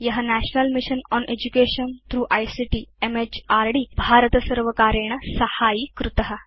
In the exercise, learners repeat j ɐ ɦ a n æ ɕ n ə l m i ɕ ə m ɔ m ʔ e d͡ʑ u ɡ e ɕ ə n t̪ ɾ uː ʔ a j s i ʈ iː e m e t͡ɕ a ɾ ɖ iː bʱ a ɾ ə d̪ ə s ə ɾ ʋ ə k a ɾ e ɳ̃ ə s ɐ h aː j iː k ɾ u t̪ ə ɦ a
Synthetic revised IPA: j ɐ ɦ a n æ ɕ n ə l m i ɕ ə n ɔ n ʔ e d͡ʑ u k e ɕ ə n t̪ ɾ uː ʔ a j s i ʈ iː e m e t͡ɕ a ɾ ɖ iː bʱ a ɾ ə t̪ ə s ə ɾ ʋ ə k a ɾ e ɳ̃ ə s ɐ h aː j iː k ɾ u t̪ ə ɦ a